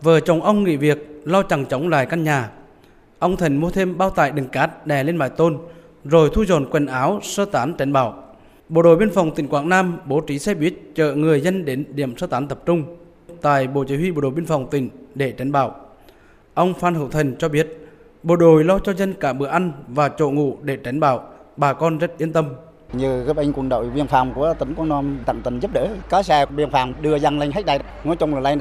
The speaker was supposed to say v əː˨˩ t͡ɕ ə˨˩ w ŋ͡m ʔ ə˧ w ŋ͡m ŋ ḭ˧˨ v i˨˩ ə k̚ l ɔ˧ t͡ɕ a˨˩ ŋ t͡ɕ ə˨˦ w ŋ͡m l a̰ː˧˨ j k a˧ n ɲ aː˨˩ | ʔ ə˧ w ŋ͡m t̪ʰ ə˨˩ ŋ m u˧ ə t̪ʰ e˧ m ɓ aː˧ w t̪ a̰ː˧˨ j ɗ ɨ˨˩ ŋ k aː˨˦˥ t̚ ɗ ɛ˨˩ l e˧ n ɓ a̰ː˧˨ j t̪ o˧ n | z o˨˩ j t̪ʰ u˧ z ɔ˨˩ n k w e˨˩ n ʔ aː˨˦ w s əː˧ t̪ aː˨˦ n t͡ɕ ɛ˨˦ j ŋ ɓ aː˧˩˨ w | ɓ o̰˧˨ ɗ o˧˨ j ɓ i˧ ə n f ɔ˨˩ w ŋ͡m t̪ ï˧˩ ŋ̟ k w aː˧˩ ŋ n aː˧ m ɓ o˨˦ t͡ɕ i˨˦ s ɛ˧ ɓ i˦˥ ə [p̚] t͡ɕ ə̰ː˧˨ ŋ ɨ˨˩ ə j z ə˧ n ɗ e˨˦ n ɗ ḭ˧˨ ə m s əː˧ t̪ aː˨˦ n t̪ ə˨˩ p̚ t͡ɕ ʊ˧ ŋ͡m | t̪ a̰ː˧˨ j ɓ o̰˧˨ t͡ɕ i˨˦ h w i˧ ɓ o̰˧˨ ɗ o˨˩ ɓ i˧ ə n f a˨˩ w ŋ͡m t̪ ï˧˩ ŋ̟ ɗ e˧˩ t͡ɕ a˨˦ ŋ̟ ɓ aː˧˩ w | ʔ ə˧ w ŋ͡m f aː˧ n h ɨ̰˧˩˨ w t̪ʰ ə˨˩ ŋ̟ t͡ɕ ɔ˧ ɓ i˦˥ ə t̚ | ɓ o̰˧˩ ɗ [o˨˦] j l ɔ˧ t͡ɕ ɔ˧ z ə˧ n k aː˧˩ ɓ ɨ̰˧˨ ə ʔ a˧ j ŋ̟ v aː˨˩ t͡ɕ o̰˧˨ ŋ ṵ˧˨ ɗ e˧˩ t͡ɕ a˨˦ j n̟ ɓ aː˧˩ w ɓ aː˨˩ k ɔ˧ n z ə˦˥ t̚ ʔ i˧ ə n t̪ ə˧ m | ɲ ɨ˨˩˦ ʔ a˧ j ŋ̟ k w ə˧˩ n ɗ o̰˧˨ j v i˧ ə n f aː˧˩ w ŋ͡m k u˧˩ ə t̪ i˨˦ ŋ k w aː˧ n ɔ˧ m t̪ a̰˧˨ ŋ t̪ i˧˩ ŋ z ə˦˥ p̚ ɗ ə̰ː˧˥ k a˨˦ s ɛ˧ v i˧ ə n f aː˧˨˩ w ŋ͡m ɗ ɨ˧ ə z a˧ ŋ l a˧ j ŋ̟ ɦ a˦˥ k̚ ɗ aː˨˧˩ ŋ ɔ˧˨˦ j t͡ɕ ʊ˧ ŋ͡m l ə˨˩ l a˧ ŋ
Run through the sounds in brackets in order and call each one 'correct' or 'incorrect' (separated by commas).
incorrect, incorrect